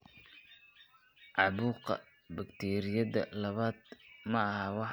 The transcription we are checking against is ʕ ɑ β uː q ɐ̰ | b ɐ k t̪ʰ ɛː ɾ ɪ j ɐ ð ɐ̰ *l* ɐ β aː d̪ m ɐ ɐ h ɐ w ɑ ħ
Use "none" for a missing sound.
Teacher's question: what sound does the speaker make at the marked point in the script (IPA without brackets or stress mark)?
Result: l